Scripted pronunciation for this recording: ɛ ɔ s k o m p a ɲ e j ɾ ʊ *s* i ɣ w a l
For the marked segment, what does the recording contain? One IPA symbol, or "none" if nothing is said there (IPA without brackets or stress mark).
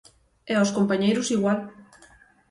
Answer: s